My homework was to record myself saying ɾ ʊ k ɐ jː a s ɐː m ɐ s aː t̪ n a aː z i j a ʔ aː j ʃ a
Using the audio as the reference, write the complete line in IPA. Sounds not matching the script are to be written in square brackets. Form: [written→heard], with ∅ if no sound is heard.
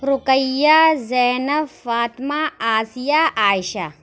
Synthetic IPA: ɾ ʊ k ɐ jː a [s→z] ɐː [m→n] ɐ [s→f] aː t̪ [n→m] a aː [z→s] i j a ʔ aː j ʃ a